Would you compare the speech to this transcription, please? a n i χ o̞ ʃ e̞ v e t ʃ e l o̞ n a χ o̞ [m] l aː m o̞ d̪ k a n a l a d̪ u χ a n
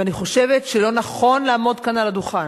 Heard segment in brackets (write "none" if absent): n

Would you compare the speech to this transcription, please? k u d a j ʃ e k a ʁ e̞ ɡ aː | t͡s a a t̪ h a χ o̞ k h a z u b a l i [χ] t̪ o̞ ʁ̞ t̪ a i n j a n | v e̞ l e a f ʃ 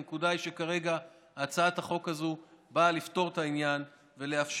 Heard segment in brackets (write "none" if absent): f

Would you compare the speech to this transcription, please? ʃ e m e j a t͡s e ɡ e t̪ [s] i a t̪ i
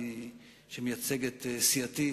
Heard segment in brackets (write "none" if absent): s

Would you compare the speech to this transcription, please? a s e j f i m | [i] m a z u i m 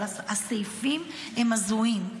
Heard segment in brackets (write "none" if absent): e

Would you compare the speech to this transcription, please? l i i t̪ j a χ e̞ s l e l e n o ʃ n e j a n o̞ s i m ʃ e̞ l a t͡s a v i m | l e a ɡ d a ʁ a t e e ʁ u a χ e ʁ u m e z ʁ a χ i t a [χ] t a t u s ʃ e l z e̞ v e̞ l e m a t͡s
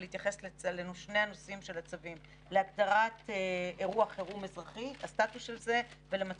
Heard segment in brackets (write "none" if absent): s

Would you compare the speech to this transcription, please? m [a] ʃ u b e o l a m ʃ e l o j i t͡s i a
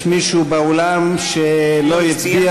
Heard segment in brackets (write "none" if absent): i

